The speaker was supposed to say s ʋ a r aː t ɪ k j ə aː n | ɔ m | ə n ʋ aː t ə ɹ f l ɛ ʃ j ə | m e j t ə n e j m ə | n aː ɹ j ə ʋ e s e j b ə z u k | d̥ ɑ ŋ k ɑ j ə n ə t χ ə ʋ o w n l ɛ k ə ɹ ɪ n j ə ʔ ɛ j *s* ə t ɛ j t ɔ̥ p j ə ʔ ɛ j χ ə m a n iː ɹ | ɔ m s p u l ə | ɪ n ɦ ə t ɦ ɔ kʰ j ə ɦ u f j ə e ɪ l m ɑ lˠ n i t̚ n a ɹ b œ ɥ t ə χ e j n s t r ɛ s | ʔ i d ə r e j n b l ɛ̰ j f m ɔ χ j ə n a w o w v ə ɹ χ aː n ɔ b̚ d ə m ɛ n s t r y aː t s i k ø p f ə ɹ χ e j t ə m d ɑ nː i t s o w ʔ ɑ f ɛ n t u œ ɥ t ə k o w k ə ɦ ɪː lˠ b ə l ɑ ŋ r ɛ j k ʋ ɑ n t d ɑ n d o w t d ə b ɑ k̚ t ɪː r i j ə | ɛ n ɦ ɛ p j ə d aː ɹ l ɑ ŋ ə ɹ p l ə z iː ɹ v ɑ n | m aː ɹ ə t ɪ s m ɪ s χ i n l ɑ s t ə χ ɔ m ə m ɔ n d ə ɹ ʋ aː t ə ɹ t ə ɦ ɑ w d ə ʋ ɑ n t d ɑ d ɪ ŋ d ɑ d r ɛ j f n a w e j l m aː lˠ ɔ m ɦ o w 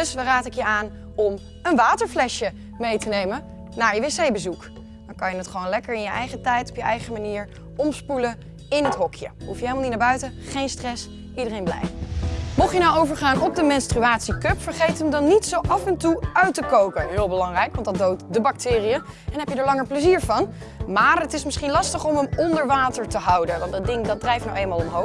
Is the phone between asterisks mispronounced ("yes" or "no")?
yes